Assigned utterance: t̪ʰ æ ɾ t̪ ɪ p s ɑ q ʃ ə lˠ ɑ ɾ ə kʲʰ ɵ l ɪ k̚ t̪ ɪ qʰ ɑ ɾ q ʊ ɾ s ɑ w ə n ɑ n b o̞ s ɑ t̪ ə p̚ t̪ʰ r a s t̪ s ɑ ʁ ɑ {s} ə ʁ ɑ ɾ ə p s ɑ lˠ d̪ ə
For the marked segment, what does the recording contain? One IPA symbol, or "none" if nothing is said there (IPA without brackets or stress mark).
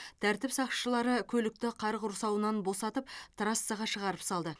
ʃ